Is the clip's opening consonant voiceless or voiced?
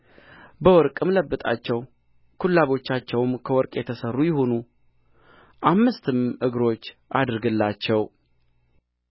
voiced